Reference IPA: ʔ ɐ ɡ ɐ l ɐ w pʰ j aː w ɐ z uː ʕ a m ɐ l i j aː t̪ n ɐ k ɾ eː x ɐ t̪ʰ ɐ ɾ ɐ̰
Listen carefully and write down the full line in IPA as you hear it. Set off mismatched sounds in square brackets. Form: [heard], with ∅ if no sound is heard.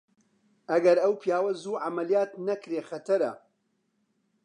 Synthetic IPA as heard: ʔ ɐ ɡ ɐ [ɾ] ɐ w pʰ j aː w ɐ z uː ʕ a m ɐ l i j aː t̪ n ɐ k ɾ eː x ɐ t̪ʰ ɐ ɾ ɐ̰

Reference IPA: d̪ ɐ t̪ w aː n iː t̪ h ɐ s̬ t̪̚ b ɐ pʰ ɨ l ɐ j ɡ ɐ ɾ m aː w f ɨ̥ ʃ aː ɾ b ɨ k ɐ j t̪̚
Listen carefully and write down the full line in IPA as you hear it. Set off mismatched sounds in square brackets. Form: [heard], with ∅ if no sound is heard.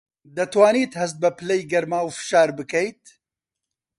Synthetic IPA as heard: d̪ ɐ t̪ w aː n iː t̪ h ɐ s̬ t̪̚ b ɐ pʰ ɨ l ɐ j ɡ ɐ ɾ m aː w f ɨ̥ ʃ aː ɾ b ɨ k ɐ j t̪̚

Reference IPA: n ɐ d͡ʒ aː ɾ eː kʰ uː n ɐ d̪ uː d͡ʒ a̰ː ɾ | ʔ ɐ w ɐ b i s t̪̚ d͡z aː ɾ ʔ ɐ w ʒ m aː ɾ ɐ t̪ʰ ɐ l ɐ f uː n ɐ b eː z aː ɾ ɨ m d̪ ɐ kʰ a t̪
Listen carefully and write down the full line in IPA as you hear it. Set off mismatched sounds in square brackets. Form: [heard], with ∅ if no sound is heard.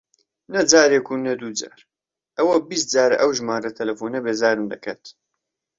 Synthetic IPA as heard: n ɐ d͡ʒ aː ɾ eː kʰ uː n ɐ d̪ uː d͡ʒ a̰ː ɾ | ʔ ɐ w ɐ b i s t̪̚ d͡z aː ɾ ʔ ɐ w ʒ m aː ɾ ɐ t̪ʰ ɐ l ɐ f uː n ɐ b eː z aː ɾ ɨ m d̪ ɐ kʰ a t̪

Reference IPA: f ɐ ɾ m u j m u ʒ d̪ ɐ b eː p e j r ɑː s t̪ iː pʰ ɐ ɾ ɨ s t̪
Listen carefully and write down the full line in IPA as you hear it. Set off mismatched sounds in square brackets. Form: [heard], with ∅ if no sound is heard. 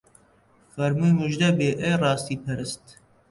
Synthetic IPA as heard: f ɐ ɾ m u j m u ʒ d̪ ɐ b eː [ʔ] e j r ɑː s t̪ iː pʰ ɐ ɾ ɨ s t̪

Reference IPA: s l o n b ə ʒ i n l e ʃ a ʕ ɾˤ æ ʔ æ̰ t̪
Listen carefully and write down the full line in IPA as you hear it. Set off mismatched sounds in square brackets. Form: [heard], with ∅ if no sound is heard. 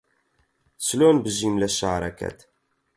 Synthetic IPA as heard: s l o n b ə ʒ i [m] l [æ] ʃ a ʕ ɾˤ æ [k] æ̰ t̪

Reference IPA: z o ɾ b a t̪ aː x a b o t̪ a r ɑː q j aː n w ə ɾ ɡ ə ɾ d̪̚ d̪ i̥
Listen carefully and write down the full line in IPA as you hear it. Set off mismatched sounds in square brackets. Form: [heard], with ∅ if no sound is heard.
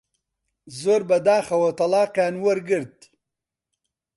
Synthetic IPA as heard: z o ɾ b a [d̪] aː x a [w] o t̪ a [l] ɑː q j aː n w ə ɾ ɡ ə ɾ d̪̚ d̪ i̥

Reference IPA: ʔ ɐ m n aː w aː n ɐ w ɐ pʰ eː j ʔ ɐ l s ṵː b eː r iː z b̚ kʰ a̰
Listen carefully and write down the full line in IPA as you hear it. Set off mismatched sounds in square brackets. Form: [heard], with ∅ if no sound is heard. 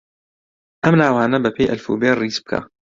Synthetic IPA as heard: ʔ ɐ m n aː w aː n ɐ [b] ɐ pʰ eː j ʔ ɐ l [f] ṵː b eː r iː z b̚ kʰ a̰

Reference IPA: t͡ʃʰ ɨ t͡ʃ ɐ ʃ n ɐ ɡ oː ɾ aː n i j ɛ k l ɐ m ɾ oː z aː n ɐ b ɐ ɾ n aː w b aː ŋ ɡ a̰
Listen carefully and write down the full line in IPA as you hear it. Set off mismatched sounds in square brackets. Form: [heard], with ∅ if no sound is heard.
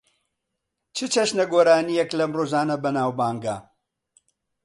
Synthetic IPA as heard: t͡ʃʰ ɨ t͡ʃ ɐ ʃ n ɐ ɡ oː ɾ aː n i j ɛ k l ɐ m [r] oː z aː n ɐ b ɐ [∅] n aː w b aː ŋ ɡ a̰

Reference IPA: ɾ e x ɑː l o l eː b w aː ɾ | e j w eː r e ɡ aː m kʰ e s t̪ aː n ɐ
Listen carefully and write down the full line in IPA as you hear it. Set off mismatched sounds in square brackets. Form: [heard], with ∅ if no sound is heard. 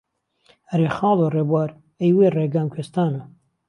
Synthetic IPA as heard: ɾ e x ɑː l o [r] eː b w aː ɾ | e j w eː r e ɡ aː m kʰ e s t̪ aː n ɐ

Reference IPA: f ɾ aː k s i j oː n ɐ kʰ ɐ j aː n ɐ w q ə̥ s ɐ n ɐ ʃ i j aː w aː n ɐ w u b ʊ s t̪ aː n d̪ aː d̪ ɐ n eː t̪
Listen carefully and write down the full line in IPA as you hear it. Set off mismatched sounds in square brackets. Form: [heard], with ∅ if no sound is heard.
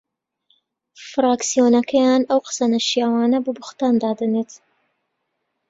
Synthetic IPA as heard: f ɾ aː k s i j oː n ɐ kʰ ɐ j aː n ɐ w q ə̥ s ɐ n ɐ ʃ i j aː w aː n ɐ [b] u b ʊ [x] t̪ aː n d̪ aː d̪ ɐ n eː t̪

